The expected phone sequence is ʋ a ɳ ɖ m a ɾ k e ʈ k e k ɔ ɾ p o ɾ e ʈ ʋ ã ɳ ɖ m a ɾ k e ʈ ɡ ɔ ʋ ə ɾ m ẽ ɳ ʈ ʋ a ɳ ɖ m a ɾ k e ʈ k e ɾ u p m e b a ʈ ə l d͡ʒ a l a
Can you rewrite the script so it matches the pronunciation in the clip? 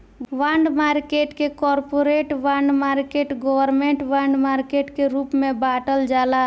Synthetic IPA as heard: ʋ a ɳ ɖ m a ɾ k e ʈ k e k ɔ ɾ p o ɾ e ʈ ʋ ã ɳ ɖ m a ɾ k e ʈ ɡ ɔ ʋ ə ɾ m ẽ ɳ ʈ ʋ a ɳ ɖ m a ɾ k e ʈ k e ɾ u p m e b a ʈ ə l d͡ʒ a l a